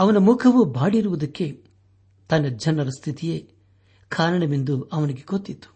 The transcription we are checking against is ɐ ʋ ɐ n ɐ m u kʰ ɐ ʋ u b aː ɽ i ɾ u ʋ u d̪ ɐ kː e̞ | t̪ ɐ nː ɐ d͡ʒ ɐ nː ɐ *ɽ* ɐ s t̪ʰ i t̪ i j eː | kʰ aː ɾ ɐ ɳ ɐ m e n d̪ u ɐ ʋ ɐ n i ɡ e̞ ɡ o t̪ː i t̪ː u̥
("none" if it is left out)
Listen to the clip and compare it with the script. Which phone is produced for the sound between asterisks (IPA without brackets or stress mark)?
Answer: ɾ